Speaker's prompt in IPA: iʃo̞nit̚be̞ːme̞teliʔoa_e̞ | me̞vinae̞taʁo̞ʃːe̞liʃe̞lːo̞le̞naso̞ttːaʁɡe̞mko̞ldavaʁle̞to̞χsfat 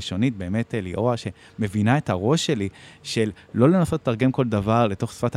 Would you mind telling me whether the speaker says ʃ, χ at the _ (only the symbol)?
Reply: ʃ